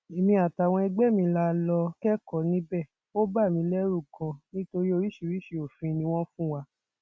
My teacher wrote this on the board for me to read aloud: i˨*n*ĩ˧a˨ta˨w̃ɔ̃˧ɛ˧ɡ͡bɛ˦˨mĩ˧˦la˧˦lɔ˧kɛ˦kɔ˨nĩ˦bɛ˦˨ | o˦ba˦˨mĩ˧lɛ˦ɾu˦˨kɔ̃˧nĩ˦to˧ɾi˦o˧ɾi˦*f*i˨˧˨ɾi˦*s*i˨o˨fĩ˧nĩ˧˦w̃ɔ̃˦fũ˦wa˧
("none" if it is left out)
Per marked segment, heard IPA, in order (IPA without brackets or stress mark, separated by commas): m, ʃ, ʃ